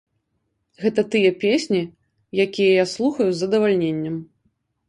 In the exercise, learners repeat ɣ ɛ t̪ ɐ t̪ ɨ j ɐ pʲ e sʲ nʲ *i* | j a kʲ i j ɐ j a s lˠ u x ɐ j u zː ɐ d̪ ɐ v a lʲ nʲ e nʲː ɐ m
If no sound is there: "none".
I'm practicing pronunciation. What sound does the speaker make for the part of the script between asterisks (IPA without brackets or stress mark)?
i